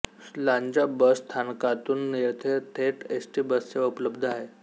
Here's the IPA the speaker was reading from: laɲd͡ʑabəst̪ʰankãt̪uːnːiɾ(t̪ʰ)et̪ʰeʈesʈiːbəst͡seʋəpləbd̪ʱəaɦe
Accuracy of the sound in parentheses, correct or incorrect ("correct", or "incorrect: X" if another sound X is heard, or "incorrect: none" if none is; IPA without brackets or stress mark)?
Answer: correct